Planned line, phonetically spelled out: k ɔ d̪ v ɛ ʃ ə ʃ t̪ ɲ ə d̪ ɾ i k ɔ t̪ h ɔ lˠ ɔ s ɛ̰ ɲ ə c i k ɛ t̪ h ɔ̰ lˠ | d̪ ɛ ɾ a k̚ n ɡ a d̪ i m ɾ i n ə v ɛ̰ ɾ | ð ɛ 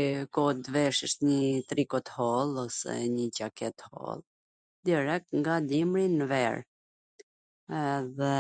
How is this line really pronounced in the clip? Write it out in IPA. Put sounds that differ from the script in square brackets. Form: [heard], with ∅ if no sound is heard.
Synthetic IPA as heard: k ɔ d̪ v ɛ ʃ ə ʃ t̪ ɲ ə [t̪] ɾ i k ɔ t̪ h ɔ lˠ ɔ s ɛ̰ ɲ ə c [a] k ɛ t̪ h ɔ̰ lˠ | d̪ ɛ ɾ [ɛ] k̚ [ŋ] ɡ a d̪ i m ɾ i n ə v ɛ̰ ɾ | ð ɛ